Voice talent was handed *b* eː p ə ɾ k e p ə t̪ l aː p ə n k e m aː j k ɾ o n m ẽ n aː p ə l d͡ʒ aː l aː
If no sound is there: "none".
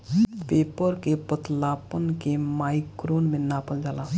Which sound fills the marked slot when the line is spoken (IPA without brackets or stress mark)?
p